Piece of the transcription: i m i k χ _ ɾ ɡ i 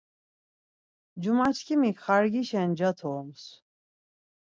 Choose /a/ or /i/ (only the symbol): a